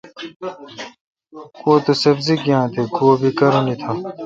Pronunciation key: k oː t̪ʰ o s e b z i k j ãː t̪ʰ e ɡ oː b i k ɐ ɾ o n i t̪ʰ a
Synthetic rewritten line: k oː t̪ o s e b z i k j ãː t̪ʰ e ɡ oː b i k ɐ ɾ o n i t̪ʰ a